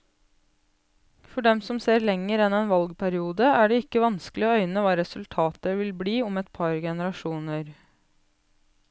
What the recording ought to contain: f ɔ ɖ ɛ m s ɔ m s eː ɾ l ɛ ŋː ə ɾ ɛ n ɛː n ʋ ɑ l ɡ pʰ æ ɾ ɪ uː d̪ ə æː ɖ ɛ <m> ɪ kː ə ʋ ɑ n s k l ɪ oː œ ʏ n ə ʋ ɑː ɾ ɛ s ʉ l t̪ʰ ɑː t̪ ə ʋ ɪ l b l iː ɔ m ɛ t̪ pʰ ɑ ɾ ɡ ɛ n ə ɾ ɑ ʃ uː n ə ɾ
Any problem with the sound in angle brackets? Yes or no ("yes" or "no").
yes